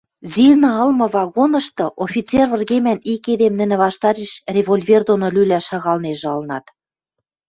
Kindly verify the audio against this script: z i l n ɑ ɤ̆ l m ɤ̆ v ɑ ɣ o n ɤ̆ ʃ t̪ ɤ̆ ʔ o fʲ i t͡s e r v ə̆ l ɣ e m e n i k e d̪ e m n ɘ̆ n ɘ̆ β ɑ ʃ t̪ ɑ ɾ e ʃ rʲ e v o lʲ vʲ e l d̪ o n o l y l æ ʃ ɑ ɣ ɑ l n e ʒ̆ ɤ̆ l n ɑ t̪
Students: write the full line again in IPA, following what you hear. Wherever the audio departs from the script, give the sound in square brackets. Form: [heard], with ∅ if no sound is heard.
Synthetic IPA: z i l n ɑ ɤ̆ l m ɤ̆ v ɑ ɣ o n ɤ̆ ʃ t̪ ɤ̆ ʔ o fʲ i t͡s e r v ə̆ [r] ɣ e m [æ] n i k e d̪ e m n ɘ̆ n ɘ̆ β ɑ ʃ t̪ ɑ ɾ e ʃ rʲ e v o lʲ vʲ e [r] d̪ o n o l y l æ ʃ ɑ ɣ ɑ l n e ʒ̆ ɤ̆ l n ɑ t̪